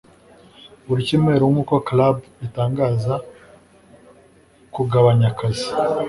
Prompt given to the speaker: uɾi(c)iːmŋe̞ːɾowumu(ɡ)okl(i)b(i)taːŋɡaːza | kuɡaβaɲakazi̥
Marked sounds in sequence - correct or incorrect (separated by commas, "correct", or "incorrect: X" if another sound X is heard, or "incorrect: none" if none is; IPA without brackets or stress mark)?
correct, incorrect: k, incorrect: a, correct